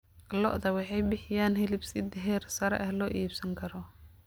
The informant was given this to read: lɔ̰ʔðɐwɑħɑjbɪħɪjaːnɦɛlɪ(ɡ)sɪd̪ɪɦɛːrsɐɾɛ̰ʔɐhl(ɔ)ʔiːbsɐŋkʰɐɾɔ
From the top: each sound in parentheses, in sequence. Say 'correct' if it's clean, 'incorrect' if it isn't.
incorrect: b, incorrect: ɔː

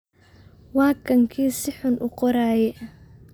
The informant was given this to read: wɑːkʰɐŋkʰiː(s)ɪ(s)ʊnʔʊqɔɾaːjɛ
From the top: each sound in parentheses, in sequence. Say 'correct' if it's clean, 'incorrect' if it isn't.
correct, incorrect: ħ

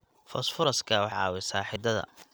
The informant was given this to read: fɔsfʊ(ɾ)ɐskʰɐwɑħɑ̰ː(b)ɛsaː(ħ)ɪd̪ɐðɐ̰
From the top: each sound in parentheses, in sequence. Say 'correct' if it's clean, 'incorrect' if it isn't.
correct, incorrect: w, correct

